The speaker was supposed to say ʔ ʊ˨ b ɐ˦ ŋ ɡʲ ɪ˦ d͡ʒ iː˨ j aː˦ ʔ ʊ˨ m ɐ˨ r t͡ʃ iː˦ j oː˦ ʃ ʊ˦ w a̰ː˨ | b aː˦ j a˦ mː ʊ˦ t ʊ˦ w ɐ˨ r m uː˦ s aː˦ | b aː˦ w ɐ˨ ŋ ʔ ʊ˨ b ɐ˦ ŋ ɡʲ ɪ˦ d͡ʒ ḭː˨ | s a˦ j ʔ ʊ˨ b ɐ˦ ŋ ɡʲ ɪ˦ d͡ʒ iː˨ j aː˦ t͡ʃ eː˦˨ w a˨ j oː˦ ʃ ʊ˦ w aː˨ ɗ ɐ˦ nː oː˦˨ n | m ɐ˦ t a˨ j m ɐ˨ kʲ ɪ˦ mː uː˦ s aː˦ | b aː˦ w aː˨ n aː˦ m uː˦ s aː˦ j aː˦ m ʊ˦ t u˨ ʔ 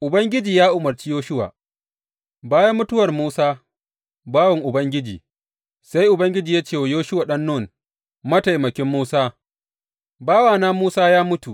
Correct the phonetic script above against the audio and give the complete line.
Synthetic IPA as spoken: ʔ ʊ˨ b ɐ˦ ŋ ɡʲ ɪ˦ d͡ʒ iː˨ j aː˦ ʔ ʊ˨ m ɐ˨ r t͡ʃ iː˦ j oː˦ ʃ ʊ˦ w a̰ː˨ | b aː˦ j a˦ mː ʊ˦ t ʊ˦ w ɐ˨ r m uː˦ s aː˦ | b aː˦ w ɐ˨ ŋ ʔ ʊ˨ b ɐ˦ ŋ ɡʲ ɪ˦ d͡ʒ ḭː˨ | s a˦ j ʔ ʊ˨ b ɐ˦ ŋ ɡʲ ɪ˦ d͡ʒ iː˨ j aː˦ t͡ʃ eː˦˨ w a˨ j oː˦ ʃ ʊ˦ w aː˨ ɗ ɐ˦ nː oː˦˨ n | m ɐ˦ t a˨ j m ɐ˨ kʲ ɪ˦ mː uː˦ s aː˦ | b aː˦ w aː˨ n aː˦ m uː˦ s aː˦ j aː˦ m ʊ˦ t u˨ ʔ